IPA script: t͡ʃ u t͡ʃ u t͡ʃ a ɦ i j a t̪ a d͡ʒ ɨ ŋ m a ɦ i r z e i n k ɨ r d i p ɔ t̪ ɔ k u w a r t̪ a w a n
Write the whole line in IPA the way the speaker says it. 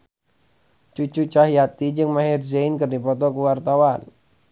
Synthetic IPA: t͡ʃ u t͡ʃ u t͡ʃ a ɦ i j a t̪ i d͡ʒ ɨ ŋ m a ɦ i r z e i n k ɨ r d i p ɔ t̪ ɔ k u w a r t̪ a w a n